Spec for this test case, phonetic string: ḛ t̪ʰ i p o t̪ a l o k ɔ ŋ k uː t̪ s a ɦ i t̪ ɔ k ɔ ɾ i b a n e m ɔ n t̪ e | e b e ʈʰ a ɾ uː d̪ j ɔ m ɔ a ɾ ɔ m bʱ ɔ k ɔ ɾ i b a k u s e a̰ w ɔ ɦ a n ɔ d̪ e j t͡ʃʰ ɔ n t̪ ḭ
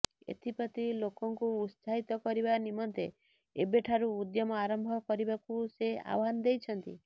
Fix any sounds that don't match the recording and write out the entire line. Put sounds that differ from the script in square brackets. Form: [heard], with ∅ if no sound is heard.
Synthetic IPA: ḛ t̪ʰ i p [ɔ] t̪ [i] l o k ɔ ŋ k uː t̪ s a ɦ i t̪ ɔ k ɔ ɾ i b a n [i] m ɔ n t̪ e | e b e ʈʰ a ɾ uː d̪ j ɔ m ɔ a ɾ ɔ m bʱ ɔ k ɔ ɾ i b a k u s e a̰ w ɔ ɦ a n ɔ d̪ e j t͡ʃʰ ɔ n t̪ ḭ